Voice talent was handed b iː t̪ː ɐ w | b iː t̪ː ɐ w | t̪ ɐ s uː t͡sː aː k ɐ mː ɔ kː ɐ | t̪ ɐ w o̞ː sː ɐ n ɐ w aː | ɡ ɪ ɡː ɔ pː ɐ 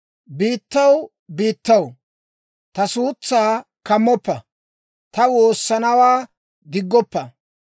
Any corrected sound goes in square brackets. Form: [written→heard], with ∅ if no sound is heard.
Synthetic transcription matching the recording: b iː t̪ː ɐ w | b iː t̪ː ɐ w | t̪ ɐ s uː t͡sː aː k ɐ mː ɔ [kː→pː] ɐ | t̪ ɐ w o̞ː sː ɐ n ɐ w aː | ɡ ɪ ɡː ɔ pː ɐ

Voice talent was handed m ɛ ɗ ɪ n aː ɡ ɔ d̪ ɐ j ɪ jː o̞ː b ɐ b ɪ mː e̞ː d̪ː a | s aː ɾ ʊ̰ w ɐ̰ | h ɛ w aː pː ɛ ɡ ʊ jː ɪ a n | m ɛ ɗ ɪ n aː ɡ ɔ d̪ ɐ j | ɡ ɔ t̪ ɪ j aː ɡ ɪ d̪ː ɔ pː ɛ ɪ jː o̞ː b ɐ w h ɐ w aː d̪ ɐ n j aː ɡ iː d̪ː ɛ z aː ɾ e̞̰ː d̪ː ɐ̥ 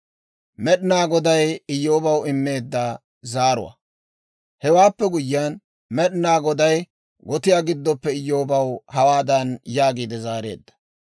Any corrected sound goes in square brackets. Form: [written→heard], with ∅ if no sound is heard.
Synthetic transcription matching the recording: m ɛ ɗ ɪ n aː ɡ ɔ d̪ ɐ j ɪ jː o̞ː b ɐ [b→w] ɪ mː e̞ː d̪ː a | [s→z] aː ɾ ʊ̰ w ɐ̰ | h ɛ w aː pː ɛ ɡ ʊ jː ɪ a n | m ɛ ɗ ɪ n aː ɡ ɔ d̪ ɐ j | ɡ ɔ t̪ ɪ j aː ɡ ɪ d̪ː ɔ pː ɛ ɪ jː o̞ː b ɐ w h ɐ w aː d̪ ɐ n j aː ɡ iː [d̪ː→d̪] ɛ z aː ɾ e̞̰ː d̪ː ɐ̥

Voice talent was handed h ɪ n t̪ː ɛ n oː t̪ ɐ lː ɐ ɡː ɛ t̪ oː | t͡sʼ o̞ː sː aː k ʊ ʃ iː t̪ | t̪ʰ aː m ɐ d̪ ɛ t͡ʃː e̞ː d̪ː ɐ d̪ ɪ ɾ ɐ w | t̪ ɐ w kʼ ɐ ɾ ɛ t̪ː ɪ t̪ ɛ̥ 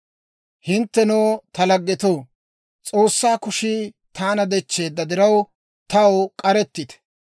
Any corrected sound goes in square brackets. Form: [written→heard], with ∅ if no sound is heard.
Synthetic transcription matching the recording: h ɪ n t̪ː ɛ n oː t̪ ɐ [lː→l] ɐ ɡː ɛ t̪ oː | t͡sʼ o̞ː sː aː k ʊ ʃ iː [t̪→∅] | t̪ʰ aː [m→n] ɐ d̪ ɛ t͡ʃː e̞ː d̪ː ɐ d̪ ɪ ɾ ɐ w | t̪ ɐ w kʼ ɐ ɾ ɛ t̪ː ɪ t̪ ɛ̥

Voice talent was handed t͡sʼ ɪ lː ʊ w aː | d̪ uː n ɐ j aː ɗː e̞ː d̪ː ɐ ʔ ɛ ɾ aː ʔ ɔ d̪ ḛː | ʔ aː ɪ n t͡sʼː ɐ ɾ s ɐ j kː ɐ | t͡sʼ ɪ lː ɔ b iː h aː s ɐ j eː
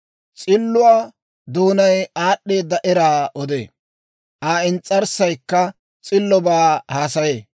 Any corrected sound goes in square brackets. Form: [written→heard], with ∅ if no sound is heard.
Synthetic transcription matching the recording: t͡sʼ ɪ lː ʊ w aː | d̪ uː n ɐ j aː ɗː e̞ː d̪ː ɐ ʔ ɛ ɾ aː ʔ ɔ d̪ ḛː | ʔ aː ɪ n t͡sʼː ɐ ɾ s ɐ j kː ɐ | t͡sʼ ɪ lː ɔ b [iː→aː] h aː s ɐ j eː

